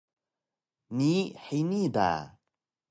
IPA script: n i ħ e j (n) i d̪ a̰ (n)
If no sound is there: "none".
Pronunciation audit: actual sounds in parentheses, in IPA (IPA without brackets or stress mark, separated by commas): n, none